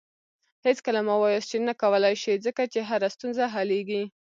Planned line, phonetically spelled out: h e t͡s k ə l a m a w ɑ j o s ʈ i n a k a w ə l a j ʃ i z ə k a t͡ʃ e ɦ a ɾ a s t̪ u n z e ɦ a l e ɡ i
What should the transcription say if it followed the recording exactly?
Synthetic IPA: h e t͡s k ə l a m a w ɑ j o s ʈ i n a k a w ə l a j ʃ i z ə k a t͡ʃ e ɦ a ɾ a s t̪ u n z a ɦ a l e ɡ i